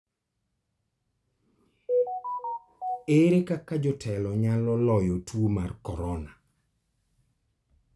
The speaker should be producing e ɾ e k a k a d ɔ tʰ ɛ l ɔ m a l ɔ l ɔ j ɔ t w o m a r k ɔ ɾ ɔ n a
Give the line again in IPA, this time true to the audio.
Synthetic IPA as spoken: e ɾ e k a k a d͡ʒ ɔ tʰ ɛ l ɔ ɲ a l ɔ l ɔ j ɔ t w o m a r k ɔ ɾ ɔ n a